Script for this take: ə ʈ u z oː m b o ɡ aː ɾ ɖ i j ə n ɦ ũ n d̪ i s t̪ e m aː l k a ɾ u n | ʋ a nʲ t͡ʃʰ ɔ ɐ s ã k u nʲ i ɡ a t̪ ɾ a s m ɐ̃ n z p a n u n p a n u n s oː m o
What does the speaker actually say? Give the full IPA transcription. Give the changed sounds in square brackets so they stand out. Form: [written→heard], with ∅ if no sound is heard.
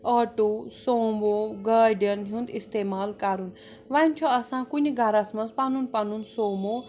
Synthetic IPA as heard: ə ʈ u [z→s] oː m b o ɡ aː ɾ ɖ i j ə n ɦ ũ n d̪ i s t̪ e m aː l k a ɾ u n | ʋ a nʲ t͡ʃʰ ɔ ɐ s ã k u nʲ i ɡ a [t̪→∅] ɾ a s m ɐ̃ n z p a n u n p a n u n s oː m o